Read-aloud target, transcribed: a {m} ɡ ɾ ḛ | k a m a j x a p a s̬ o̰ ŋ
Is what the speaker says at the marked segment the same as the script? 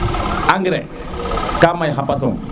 no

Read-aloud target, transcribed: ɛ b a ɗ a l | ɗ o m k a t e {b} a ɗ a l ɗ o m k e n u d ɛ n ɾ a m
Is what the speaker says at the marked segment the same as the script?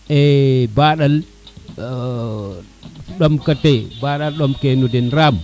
yes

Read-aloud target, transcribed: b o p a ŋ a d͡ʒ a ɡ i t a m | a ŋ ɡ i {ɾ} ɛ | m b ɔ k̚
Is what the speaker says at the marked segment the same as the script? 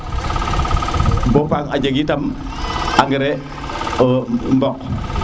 yes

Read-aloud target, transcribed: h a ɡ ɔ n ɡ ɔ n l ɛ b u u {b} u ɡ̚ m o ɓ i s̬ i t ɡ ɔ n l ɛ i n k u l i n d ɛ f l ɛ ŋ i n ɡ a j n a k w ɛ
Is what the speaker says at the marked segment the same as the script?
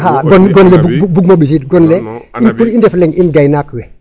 yes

